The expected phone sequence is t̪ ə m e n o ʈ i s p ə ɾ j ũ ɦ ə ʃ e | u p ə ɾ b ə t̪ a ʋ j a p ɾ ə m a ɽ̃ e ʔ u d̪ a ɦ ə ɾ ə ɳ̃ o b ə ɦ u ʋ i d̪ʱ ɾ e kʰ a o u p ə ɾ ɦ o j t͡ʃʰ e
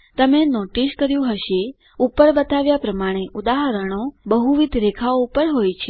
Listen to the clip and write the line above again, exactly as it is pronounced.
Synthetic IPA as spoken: t̪ ə m e n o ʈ i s k ə ɾ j ũ ɦ ə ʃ e | u p ə ɾ b ə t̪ a ʋ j a p ɾ ə m a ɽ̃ e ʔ u d̪ a ɦ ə ɾ ə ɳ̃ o b ə ɦ u ʋ i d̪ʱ ɾ e kʰ a o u p ə ɾ ɦ o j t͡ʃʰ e